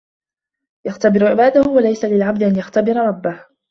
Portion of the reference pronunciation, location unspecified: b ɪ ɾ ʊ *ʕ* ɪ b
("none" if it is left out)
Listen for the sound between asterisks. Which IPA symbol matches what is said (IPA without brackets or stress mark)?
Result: ʕ